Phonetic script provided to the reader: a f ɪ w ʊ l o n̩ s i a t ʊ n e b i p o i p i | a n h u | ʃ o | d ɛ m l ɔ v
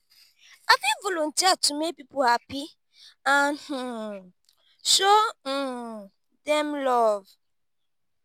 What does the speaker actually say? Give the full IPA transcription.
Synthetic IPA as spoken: a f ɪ v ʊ l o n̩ t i a t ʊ m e p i p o a p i | a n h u | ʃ o | d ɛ m l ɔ v